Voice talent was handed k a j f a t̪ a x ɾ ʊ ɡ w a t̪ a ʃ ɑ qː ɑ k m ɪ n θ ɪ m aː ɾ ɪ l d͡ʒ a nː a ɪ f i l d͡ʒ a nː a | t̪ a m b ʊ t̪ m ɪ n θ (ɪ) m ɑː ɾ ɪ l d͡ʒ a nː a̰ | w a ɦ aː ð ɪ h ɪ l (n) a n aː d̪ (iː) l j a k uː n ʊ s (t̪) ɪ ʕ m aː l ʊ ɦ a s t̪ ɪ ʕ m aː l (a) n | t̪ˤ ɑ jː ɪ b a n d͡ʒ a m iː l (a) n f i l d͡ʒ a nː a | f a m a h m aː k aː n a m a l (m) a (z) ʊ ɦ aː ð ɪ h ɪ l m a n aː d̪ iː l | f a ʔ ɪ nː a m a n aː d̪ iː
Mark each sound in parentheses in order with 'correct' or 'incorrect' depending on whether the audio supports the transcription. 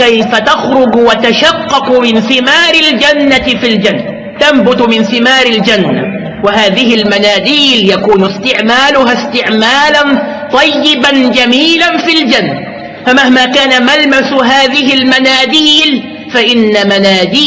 correct, incorrect: m, correct, correct, correct, correct, correct, incorrect: s

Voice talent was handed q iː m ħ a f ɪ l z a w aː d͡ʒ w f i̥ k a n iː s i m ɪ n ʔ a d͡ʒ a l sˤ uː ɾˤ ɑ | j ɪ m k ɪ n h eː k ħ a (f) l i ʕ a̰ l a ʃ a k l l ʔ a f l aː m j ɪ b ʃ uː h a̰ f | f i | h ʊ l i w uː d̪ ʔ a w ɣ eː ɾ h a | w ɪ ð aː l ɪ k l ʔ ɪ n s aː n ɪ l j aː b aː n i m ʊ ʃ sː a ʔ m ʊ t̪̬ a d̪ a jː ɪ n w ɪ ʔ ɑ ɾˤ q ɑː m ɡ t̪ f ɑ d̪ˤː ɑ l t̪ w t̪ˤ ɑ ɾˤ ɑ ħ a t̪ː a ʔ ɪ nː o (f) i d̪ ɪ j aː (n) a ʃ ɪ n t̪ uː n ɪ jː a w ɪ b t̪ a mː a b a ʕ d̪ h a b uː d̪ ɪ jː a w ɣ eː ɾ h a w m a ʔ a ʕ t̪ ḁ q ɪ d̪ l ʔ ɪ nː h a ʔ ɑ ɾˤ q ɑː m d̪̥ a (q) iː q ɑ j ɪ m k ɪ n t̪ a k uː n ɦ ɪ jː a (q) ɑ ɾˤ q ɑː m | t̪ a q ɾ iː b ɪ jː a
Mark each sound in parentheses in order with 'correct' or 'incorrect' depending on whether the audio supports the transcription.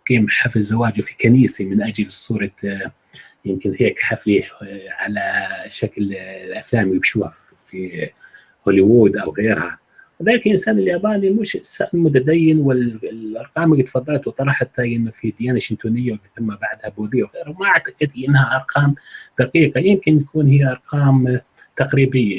correct, correct, correct, correct, incorrect: ʔ

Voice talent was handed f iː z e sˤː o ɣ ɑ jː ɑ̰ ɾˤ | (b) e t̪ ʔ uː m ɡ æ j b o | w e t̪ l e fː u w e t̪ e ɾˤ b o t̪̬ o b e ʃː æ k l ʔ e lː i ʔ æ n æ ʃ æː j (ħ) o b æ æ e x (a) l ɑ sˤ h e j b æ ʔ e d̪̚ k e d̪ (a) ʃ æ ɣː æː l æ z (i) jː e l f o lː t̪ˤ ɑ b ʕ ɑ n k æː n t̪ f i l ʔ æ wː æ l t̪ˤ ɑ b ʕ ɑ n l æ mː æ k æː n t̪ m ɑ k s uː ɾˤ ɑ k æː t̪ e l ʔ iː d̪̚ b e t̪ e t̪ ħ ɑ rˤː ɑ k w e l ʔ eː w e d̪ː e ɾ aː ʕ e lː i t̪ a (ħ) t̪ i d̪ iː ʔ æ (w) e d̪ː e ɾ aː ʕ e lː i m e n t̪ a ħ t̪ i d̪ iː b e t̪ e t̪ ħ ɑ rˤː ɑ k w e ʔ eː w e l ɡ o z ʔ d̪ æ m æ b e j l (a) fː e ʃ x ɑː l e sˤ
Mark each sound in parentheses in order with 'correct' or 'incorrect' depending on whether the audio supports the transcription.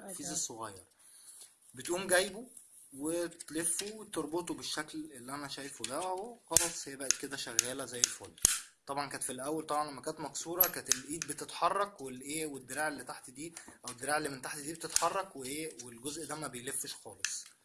correct, incorrect: f, incorrect: ɑ, incorrect: æ, incorrect: æ, correct, correct, incorrect: e

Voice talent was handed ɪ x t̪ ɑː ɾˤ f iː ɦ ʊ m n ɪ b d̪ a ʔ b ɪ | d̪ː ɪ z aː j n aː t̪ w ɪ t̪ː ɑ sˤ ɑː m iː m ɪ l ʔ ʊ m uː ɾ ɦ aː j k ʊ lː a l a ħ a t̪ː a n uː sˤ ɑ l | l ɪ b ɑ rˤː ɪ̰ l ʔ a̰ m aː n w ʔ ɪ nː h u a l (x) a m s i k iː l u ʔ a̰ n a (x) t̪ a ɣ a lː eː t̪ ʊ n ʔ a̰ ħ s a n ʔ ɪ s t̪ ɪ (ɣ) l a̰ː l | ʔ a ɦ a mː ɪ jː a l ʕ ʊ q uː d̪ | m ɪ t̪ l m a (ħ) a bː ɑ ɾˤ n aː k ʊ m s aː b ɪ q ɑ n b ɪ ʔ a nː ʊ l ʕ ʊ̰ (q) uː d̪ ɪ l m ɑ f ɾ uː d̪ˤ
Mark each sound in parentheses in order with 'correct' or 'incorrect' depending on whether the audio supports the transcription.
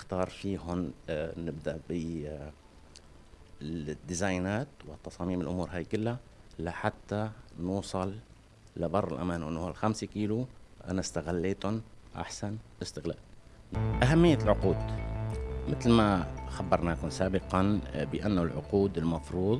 correct, incorrect: s, correct, incorrect: x, correct

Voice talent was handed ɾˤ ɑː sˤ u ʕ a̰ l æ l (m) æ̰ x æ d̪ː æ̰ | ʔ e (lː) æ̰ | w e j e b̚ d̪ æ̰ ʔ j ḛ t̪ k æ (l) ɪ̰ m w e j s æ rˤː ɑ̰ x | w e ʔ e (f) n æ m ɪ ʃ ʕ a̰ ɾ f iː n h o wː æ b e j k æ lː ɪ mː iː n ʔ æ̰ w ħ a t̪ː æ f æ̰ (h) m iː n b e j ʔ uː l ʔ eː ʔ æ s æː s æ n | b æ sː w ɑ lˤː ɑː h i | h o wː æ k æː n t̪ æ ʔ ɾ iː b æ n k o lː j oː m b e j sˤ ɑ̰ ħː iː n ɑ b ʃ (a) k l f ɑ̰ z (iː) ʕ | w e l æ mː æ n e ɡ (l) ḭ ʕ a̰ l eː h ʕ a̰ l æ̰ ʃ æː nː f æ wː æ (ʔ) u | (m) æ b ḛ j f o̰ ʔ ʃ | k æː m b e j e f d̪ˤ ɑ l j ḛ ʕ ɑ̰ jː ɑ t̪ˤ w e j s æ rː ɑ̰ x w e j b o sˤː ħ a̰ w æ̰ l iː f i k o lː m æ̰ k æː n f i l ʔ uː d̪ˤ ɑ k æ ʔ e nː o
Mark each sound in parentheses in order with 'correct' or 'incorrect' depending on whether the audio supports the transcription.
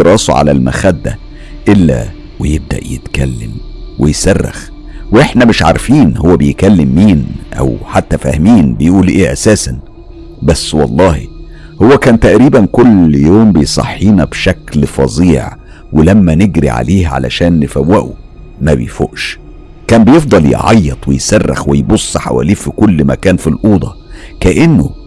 correct, correct, incorrect: lː, incorrect: ħ, correct, incorrect: æ, correct, incorrect: ɾ, correct, correct

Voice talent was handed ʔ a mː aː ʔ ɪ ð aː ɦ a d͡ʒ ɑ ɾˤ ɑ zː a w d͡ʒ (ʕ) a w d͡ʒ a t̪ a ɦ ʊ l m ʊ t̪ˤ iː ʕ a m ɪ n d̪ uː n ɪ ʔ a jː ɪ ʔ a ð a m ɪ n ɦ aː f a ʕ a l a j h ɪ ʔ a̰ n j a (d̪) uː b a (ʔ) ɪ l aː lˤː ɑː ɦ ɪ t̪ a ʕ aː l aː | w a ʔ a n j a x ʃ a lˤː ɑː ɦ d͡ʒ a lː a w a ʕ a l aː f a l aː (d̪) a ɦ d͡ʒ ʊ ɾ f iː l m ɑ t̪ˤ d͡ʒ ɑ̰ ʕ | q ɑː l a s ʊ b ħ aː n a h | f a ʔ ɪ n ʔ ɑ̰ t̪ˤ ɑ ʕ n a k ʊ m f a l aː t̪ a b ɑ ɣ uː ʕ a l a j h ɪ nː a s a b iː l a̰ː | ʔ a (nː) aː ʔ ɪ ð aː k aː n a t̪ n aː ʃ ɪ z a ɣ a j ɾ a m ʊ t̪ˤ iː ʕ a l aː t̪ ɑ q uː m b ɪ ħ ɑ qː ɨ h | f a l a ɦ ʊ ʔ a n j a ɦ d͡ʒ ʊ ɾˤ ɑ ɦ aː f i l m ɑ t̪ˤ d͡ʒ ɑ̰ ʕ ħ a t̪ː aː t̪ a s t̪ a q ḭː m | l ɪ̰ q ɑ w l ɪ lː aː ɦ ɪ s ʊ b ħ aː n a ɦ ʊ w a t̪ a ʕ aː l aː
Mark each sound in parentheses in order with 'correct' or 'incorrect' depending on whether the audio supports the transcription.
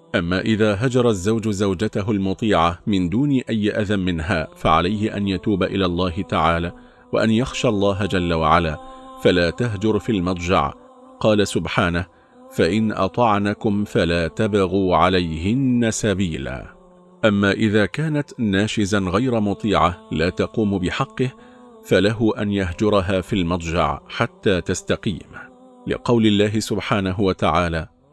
incorrect: z, incorrect: t̪, correct, incorrect: t̪, incorrect: mː

